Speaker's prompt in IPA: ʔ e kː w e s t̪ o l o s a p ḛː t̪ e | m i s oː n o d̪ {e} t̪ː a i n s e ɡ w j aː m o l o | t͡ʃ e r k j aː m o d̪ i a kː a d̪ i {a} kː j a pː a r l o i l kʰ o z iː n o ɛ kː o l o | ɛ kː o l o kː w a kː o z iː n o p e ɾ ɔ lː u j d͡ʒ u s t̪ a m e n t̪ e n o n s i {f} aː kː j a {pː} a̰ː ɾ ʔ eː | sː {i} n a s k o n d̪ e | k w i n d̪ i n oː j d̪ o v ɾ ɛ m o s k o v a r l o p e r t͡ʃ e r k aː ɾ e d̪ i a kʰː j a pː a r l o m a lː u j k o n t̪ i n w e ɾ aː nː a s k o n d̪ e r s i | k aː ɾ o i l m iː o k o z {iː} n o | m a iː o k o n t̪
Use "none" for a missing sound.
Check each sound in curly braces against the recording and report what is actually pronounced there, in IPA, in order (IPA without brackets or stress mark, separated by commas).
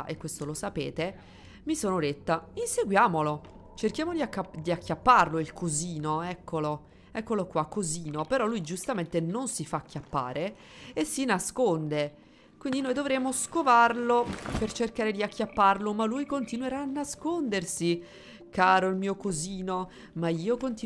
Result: e, a, f, pː, i, iː